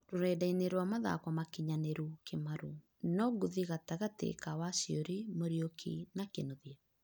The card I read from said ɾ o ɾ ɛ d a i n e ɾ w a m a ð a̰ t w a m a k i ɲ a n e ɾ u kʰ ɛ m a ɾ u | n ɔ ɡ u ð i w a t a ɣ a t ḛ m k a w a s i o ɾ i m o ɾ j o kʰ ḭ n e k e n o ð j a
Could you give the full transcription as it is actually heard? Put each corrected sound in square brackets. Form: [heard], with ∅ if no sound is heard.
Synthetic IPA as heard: ɾ o ɾ ɛ d a i n e ɾ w a m a ð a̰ [k] w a m a k i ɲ a n e ɾ u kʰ [e] m a ɾ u | n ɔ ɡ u ð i [ɣ] a t a ɣ a t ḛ [∅] k a w a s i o ɾ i m o ɾ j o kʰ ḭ n [a] k e n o ð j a